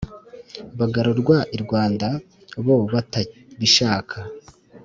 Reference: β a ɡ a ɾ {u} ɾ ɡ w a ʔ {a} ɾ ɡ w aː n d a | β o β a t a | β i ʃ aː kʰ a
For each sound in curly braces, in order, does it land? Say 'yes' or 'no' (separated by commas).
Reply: no, no